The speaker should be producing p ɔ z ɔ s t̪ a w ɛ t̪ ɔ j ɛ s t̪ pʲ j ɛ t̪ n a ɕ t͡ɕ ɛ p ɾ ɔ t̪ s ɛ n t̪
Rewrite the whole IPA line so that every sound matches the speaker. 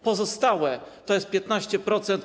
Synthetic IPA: p ɔ z ɔ s t̪ a w ɛ t̪ ɔ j ɛ s t̪ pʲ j ɛ t̪ n a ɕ t͡ɕ ɛ p ɾ ɔ t̪ s ɛ n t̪

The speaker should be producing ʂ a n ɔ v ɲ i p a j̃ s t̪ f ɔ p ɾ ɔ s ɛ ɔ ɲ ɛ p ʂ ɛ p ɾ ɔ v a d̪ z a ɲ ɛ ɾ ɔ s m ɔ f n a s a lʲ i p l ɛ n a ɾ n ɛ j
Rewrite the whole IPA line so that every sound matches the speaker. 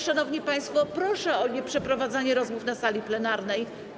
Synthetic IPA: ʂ a n ɔ v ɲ i p a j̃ s t̪ f ɔ p ɾ ɔ ʂ ɛ ɔ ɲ ɛ p ʂ ɛ p ɾ ɔ v a d̪ z a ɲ ɛ ɾ ɔ z m u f n a s a lʲ i p l ɛ n a ɾ n ɛ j

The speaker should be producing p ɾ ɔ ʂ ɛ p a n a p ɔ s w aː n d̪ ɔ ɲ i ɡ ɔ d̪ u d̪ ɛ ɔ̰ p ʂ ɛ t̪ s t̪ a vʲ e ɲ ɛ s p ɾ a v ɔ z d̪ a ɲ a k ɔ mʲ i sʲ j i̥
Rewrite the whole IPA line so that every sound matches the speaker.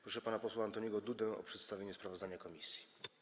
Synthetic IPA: p ɾ ɔ ʂ ɛ p a n a p ɔ s w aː n t̪ ɔ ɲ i ɡ ɔ d̪ u d̪ ɛ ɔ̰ p ʂ ɛ t̪ s t̪ a vʲ e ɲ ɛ s p ɾ a v ɔ z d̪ a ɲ a k ɔ mʲ i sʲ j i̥

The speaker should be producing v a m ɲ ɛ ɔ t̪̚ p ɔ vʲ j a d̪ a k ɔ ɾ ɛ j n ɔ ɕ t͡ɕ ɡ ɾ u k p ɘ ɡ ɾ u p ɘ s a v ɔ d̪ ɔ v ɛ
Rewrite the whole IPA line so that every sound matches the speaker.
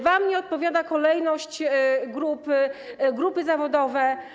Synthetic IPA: v a m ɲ ɛ ɔ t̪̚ p ɔ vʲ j a d̪ a k ɔ l ɛ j n ɔ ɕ t͡ɕ ɡ ɾ u p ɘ ɡ ɾ u p ɘ z a v ɔ d̪ ɔ v ɛ

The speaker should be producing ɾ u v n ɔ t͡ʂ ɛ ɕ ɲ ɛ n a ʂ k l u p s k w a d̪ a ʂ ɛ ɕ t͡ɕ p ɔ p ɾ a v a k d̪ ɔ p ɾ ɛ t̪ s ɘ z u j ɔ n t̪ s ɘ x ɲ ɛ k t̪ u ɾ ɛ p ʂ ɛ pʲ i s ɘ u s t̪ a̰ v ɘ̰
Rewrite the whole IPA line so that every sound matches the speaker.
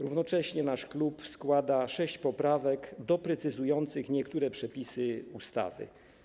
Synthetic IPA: ɾ u v n ɔ t͡ʂ ɛ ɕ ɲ ɛ n a ʂ k l u p s k w a d̪ a ʂ ɛ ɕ t͡ɕ p ɔ p ɾ a v ɛ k d̪ ɔ p ɾ ɛ t̪ s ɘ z u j ɔ n t̪ s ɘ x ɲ ɛ k t̪ u ɾ ɛ p ʂ ɛ pʲ i s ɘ u s t̪ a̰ v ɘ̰

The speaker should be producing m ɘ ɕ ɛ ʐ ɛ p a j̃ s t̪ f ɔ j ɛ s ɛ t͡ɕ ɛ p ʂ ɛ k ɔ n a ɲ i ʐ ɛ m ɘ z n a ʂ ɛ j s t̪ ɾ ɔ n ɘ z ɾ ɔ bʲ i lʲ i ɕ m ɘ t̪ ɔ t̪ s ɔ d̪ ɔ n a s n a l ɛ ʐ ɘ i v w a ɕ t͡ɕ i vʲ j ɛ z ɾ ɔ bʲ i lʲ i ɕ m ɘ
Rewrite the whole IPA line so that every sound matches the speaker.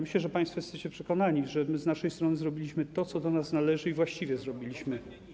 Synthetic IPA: m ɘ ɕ ɛ ʐ ɛ p a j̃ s t̪ f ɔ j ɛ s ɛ t͡ɕ ɛ p ʂ ɛ k ɔ n a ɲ i ʐ ɛ m ɘ z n a ʂ ɛ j s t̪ ɾ ɔ n ɘ z ɾ ɔ bʲ i lʲ i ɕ m ɘ t̪ ɔ t̪ s ɔ d̪ ɔ n a s n a l ɛ ʐ ɘ i v w a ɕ t͡ɕ i vʲ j ɛ z ɾ ɔ bʲ i lʲ i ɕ m ɘ

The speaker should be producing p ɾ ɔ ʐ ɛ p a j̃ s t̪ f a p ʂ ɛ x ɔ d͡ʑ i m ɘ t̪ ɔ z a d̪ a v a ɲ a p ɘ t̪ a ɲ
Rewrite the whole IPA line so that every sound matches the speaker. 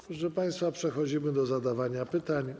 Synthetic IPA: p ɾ ɔ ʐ ɛ p a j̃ s t̪ f a p ʂ ɛ x ɔ d͡ʑ i m ɘ d̪ ɔ z a d̪ a v a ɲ a p ɘ t̪ a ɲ

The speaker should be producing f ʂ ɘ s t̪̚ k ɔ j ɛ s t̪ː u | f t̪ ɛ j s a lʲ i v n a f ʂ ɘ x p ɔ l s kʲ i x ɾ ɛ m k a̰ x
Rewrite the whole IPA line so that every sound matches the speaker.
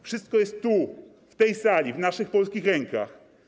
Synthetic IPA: f ʂ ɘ s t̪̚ k ɔ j ɛ s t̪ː u | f t̪ ɛ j s a lʲ i v n a ʂ ɘ x p ɔ l s kʲ i x ɾ ɛ ŋ k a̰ x

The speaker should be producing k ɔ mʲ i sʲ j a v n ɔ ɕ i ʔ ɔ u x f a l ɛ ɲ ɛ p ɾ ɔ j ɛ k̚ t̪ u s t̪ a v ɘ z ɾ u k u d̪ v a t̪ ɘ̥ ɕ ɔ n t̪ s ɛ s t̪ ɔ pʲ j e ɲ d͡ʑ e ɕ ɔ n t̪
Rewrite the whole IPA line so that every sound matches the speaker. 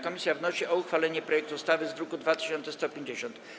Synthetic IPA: k ɔ mʲ i sʲ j a v n ɔ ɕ i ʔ ɔ u x f a l ɛ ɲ ɛ p ɾ ɔ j ɛ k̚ t̪ u s t̪ a v ɘ z ɾ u k u d̪ v a t̪ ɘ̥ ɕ ɔ n t̪ s ɛ s t̪ ɔ pʲ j e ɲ d͡ʑ e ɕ ɔ n t̪

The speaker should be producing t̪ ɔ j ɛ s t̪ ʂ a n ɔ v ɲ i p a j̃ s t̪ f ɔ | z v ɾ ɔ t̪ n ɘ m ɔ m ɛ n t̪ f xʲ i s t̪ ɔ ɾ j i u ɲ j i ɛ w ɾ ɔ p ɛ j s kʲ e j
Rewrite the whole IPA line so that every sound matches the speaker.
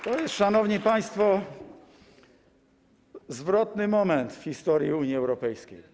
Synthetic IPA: t̪ ɔ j ɛ s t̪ ʂ a n ɔ v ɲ i p a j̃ s t̪ f ɔ | z v ɾ ɔ t̪ n ɘ m ɔ m ɛ n t̪ f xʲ i s t̪ ɔ ɾ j i u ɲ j i ɛ w ɾ ɔ p ɛ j s kʲ e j

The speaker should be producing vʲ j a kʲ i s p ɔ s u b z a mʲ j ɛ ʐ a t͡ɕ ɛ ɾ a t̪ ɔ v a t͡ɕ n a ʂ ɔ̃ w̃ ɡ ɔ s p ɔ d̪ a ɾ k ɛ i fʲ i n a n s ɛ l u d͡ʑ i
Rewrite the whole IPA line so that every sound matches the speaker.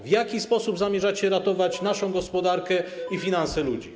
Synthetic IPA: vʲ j a kʲ i s p ɔ s u b z a mʲ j ɛ ʐ a t͡ɕ ɛ ɾ a t̪ ɔ v a t͡ɕ n a ʂ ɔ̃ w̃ ɡ ɔ s p ɔ d̪ a ɾ k ɛ i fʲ i n a n s ɛ l u d͡ʑ i

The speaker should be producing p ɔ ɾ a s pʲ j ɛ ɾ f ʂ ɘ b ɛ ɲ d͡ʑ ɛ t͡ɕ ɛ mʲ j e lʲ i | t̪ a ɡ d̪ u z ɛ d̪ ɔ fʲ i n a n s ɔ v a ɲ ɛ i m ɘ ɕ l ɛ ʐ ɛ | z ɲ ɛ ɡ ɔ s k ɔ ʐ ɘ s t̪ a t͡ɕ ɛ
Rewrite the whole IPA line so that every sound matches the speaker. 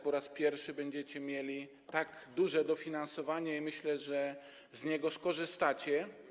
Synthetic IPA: p ɔ ɾ a s pʲ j ɛ ɾ f ʂ ɘ b ɛ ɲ d͡ʑ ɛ t͡ɕ ɛ mʲ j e lʲ i | t̪ a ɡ d̪ u ʐ ɛ d̪ ɔ fʲ i n a n s ɔ v a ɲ ɛ i m ɘ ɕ l ɛ ʐ ɛ | z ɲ ɛ ɡ ɔ s k ɔ ʐ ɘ s t̪ a t͡ɕ ɛ

